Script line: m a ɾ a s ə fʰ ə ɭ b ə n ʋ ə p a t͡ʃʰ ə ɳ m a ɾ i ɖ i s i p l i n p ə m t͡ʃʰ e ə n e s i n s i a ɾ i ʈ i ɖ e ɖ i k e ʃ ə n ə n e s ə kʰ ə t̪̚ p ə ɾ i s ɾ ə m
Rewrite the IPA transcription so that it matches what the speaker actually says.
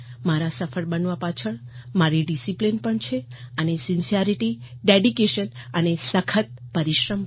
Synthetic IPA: m a ɾ a s ə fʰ ə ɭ b ə n ʋ a p a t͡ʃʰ ə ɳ m a ɾ i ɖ i s i p l i n p ə ɳ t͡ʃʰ e ə n e s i n s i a ɾ i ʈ i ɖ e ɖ i k e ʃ ə n ə n e s ə kʰ ə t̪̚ p ə ɾ i ʃ ɾ ə m